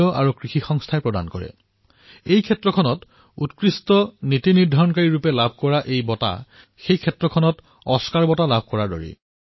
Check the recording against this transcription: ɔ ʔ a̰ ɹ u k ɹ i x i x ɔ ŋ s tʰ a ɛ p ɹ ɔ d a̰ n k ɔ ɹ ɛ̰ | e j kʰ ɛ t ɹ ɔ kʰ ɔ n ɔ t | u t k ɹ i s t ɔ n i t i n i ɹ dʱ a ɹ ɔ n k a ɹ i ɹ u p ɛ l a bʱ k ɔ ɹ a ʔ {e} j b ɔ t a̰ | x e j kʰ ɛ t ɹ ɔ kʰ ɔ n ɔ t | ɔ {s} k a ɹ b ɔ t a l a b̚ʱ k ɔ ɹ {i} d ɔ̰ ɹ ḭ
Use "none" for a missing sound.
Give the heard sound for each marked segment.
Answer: e, s, a

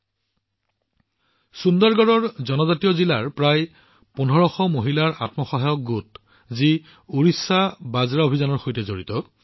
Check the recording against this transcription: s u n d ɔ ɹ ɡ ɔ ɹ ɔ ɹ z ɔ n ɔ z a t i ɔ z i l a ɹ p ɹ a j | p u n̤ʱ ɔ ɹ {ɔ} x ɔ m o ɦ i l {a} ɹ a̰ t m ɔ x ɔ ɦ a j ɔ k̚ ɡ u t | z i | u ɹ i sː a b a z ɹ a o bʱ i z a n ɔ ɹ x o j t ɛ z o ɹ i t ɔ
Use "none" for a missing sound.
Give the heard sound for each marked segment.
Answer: ɔ, a

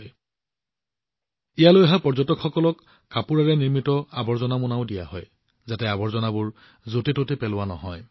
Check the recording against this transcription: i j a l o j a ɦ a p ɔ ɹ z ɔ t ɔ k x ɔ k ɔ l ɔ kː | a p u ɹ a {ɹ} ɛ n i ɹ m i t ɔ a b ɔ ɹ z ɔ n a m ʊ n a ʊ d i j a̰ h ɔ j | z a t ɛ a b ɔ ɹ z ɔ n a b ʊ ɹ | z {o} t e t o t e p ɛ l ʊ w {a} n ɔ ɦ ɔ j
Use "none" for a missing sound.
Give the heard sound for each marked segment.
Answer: ɹ, o, a

